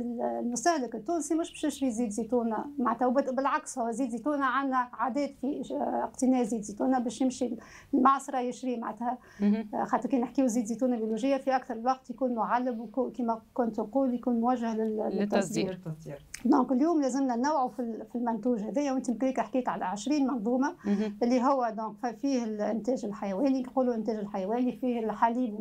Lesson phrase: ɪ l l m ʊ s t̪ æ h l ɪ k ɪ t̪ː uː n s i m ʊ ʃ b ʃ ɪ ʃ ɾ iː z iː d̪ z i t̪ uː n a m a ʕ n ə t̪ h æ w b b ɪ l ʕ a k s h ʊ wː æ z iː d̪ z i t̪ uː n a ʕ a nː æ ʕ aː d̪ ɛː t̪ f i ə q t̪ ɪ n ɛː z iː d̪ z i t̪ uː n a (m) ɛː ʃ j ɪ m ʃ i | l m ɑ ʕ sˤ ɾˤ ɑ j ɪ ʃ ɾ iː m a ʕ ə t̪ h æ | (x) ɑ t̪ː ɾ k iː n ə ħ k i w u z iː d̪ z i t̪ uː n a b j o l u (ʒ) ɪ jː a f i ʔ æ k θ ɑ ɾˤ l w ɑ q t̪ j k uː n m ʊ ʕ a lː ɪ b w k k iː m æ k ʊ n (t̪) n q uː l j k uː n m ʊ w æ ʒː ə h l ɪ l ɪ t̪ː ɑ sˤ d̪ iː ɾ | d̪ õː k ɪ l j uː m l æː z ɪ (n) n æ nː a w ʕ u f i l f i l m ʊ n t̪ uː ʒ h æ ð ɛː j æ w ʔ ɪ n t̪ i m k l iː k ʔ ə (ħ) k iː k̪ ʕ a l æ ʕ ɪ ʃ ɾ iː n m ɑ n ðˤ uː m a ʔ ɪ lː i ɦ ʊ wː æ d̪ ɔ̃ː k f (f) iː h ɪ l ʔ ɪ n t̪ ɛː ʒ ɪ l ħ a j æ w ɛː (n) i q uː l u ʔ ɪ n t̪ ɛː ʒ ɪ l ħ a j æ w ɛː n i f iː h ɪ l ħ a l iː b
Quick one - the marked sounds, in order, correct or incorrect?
incorrect: b, correct, correct, correct, incorrect: m, correct, correct, correct

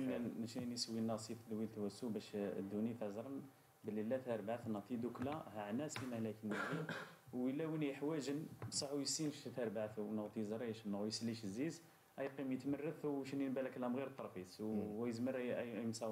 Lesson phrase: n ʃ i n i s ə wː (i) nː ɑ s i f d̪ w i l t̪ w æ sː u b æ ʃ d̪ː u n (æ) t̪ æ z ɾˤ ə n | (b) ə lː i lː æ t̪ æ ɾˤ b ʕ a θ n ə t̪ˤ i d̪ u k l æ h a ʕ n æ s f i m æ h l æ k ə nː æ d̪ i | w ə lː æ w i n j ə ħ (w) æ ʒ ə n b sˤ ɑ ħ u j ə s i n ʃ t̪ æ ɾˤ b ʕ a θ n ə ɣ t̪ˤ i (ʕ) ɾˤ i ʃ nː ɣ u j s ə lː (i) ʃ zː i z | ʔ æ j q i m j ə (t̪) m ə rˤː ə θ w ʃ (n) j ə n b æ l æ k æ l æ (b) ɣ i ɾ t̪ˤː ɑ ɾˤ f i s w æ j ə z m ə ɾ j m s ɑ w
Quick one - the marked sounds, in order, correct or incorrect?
correct, incorrect: i, correct, correct, incorrect: z, correct, correct, correct, incorrect: m

